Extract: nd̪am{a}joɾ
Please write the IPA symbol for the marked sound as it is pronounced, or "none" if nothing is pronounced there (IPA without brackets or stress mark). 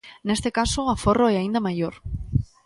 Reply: a